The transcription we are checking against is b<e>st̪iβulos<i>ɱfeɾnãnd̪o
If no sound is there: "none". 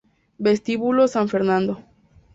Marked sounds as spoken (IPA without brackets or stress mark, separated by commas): e, a